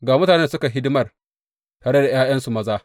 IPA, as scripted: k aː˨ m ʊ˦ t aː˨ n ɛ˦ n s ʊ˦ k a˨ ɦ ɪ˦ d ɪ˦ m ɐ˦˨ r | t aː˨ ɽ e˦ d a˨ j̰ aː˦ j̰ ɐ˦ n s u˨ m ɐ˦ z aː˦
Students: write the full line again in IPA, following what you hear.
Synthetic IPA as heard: ɡ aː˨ m ʊ˦ t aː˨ n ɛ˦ n s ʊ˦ k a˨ ɦ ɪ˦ d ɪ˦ m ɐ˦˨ r | t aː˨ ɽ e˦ d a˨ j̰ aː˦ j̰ ɐ˦ n s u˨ m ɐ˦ z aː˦